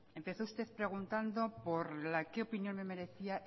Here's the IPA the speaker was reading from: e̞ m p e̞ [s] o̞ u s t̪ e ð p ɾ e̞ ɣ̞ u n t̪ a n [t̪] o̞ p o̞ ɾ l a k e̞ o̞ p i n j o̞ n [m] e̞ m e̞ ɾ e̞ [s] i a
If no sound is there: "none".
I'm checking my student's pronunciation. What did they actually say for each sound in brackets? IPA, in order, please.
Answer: θ, d̪, m, θ

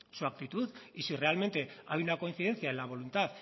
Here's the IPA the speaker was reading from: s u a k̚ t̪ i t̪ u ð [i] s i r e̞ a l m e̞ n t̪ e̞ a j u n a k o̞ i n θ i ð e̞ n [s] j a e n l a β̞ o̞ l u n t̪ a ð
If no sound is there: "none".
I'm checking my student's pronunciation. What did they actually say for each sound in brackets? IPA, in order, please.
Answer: i, θ

